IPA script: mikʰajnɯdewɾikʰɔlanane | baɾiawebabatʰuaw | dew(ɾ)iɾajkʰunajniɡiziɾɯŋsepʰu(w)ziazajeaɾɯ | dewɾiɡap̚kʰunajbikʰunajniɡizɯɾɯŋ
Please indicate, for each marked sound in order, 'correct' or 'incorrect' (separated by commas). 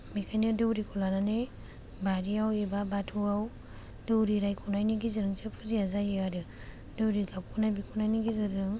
correct, incorrect